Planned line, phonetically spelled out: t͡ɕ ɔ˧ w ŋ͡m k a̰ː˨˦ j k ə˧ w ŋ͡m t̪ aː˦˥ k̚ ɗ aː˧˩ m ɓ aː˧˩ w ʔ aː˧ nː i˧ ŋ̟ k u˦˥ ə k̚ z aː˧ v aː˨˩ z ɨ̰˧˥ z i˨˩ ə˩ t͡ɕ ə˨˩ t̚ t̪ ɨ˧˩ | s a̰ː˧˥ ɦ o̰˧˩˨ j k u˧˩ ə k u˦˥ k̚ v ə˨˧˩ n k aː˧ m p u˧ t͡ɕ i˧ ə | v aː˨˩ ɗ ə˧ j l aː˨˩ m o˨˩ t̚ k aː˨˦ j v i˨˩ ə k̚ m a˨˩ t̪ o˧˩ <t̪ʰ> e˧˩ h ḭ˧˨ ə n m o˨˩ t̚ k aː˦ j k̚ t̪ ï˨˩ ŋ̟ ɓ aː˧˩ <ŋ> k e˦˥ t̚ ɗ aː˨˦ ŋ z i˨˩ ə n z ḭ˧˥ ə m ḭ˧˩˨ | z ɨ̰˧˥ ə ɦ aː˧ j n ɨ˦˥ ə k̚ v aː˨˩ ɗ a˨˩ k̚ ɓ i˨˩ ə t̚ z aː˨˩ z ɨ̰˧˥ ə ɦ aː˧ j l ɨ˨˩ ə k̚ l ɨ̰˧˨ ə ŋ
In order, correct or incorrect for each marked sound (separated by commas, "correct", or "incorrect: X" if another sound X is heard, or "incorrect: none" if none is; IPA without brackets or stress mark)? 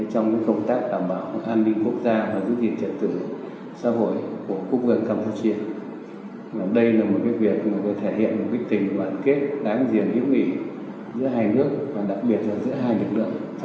correct, incorrect: n